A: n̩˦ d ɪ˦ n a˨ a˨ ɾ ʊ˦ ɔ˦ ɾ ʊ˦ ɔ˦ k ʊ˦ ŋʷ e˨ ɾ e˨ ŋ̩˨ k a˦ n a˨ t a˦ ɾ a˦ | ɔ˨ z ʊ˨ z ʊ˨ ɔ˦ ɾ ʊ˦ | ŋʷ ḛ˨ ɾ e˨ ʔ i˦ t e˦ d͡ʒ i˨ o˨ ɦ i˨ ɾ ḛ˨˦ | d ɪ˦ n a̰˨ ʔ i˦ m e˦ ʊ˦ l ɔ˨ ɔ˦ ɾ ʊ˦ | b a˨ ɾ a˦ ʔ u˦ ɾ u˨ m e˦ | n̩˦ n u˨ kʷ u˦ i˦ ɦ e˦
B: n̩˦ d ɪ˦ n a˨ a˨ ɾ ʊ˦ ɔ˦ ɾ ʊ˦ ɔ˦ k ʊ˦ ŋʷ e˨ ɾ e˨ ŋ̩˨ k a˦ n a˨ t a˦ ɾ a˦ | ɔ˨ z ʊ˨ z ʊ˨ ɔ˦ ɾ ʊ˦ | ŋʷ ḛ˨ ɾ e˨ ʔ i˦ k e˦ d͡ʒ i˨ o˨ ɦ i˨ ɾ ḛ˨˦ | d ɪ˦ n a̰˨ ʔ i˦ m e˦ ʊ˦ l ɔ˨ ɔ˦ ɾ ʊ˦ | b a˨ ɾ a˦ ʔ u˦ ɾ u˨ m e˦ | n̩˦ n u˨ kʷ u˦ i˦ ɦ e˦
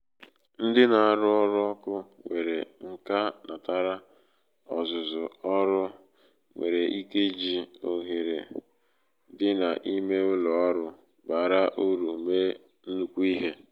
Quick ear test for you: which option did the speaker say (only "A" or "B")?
B